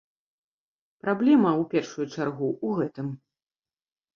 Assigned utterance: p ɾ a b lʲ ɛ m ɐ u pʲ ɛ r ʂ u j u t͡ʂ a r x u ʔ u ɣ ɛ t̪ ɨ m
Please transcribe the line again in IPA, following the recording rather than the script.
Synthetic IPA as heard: p ɾ a b lʲ ɛ m ɐ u pʲ ɛ r ʂ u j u t͡ʂ a r ɣ u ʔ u ɣ ɛ t̪ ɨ m

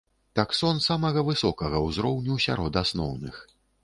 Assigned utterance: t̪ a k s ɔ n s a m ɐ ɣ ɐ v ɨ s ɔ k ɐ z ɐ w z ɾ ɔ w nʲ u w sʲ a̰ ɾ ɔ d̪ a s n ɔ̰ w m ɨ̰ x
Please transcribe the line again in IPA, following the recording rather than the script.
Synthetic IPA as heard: t̪ a k s ɔ n s a m ɐ ɣ ɐ v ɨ s ɔ k ɐ ɣ ɐ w z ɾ ɔ w nʲ u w sʲ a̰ ɾ ɔ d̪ a s n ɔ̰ w n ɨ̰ x

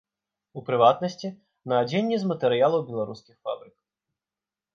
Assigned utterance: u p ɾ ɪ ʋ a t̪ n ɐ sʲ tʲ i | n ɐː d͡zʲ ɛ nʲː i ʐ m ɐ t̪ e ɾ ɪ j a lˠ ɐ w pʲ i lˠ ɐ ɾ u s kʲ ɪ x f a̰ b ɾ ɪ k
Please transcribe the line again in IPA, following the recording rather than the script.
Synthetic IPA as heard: u p ɾ ɪ ʋ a t̪ n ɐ sʲ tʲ i | n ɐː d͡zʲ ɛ nʲː i z m ɐ t̪ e ɾ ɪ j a lˠ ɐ w bʲ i lˠ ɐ ɾ u s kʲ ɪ x f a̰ b ɾ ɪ k

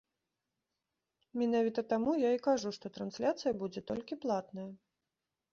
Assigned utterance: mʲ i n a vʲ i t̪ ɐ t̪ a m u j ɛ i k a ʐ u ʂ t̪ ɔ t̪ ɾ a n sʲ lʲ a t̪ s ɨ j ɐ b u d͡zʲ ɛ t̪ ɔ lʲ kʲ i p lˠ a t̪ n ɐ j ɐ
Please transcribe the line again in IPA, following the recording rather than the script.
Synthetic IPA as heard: mʲ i n a vʲ i t̪ ɐ t̪ a m u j a i k a ʐ u ʂ t̪ ɔ t̪ ɾ a n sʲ lʲ a t̪ s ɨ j ɐ b u d͡zʲ ɛ t̪ ɔ lʲ kʲ i p lˠ a t̪ n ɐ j ɐ

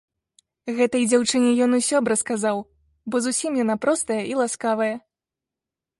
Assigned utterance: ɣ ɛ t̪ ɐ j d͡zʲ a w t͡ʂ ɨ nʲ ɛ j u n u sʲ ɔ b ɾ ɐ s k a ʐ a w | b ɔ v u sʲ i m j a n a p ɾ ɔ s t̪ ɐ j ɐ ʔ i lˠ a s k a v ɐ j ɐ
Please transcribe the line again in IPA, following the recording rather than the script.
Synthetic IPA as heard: ɣ ɛ t̪ ɐ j d͡zʲ a w t͡ʂ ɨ nʲ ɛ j ɔ n u sʲ ɔ b ɾ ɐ s k a z a w | b ɔ z u sʲ i m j a n a p ɾ ɔ s t̪ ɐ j ɐ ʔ i lˠ a s k a v ɐ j ɐ

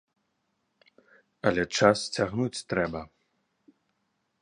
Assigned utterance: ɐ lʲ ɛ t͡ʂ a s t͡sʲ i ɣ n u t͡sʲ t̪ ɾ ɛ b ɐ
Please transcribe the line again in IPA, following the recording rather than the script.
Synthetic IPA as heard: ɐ lʲ ɛ t͡ʂ a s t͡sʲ a ɣ n u t͡sʲ t̪ ɾ ɛ b ɐ

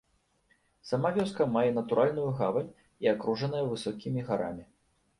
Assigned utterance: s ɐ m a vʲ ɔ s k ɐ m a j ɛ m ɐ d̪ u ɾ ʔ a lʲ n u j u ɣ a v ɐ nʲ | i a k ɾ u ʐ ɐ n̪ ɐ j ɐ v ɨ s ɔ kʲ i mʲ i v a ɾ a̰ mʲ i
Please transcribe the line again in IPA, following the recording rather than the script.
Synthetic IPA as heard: s ɐ m a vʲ ɔ s k ɐ m a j ɛ n ɐ t̪ u ɾ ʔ a lʲ n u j u ɣ a v ɐ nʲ | i a k ɾ u ʐ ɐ n̪ ɐ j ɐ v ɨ s ɔ kʲ i mʲ i ɣ a ɾ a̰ mʲ i

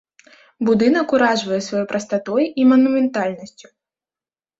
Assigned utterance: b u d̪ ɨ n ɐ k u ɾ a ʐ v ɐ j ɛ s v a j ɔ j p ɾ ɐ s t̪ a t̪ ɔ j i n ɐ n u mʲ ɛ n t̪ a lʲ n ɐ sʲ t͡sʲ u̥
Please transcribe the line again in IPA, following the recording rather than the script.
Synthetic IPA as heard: b u d̪ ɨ n ɐ k u ɾ a ʐ v ɐ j ɛ s v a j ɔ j p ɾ ɐ s t̪ a t̪ ɔ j i m ɐ n u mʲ ɛ n t̪ a lʲ n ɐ sʲ t͡sʲ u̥

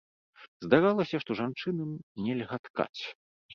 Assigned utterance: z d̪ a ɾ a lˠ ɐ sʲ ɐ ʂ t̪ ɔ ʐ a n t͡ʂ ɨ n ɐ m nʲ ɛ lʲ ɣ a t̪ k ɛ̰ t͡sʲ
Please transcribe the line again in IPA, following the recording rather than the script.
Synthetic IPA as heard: z d̪ a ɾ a lˠ ɐ sʲ ɐ ʂ t̪ ɔ ʐ a n t͡ʂ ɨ n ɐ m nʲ ɛ lʲ ɣ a t̪ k a̰ t͡sʲ

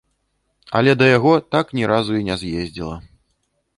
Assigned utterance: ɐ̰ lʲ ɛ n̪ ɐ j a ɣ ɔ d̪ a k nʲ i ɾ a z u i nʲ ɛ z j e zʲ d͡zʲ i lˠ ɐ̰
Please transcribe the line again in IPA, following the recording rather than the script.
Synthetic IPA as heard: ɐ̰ lʲ ɛ d̪ ɐ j a ɣ ɔ t̪ a k nʲ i ɾ a z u i nʲ ɛ z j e zʲ d͡zʲ i lˠ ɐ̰

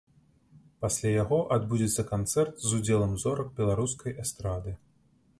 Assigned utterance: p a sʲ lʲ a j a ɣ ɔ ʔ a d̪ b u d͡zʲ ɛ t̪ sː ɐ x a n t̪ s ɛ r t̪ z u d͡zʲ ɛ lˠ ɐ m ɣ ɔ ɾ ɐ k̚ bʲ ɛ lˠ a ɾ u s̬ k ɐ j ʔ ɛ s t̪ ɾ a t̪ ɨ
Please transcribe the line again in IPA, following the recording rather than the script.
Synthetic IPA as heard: p a sʲ lʲ a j a ɣ ɔ ʔ a d̪ b u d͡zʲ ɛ t̪ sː ɐ k a n t̪ s ɛ r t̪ z u d͡zʲ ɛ lˠ ɐ m z ɔ ɾ ɐ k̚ bʲ ɛ lˠ a ɾ u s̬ k ɐ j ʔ ɛ s t̪ ɾ a d̪ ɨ

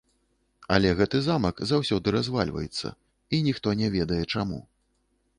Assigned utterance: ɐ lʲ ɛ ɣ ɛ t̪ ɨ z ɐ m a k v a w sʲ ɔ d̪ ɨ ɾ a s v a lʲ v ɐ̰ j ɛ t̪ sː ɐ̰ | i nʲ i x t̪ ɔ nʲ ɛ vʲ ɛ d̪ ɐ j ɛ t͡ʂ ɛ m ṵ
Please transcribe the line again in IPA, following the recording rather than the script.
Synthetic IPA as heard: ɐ lʲ ɛ ɣ ɛ t̪ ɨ z a m ɐ k z a w sʲ ɔ d̪ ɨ ɾ a z v a lʲ v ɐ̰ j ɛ t̪ sː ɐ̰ | i nʲ i x t̪ ɔ nʲ ɛ vʲ ɛ d̪ ɐ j ɛ t͡ʂ a m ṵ

